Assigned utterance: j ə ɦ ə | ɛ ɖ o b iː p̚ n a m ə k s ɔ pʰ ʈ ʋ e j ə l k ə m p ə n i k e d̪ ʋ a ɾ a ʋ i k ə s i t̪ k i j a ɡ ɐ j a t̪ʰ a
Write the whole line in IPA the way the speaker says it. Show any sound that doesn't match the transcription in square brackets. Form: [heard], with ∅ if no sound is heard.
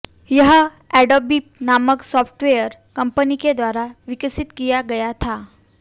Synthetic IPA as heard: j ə ɦ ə | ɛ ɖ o b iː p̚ n a m ə k s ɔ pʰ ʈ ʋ e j ə [ɾ] k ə m p ə n i k e d̪ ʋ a ɾ a ʋ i k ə s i t̪ k i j a ɡ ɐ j a t̪ʰ a